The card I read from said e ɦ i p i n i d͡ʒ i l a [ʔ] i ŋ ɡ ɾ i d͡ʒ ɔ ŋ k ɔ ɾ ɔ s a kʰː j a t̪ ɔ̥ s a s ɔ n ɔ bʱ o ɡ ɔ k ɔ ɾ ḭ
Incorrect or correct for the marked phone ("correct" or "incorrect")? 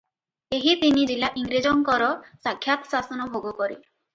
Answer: correct